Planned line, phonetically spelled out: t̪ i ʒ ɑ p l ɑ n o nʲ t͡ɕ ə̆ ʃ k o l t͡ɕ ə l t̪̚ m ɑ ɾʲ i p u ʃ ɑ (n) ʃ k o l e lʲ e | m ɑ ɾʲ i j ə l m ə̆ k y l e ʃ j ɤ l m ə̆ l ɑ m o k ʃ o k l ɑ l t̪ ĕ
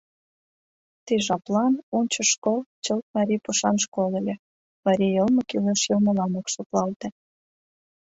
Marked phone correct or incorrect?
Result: correct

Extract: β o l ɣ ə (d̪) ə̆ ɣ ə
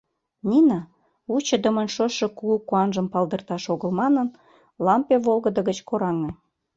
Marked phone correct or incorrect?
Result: correct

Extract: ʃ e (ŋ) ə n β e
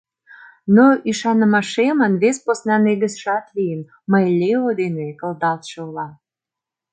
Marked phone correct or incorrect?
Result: incorrect: m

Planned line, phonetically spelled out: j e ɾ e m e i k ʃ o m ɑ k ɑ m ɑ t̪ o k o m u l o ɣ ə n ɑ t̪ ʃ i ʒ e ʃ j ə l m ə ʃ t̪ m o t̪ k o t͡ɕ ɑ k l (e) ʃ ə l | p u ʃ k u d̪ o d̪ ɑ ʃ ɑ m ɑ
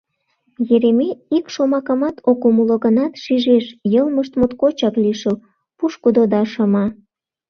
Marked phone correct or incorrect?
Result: incorrect: i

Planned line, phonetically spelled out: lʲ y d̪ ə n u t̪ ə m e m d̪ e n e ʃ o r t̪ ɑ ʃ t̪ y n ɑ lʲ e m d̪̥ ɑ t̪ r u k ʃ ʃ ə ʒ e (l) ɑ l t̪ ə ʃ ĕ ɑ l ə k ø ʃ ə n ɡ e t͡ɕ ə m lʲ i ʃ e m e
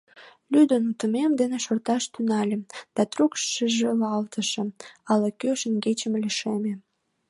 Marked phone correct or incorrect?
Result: correct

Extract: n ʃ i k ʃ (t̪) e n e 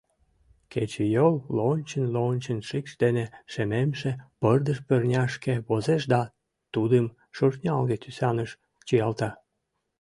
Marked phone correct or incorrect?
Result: incorrect: d̪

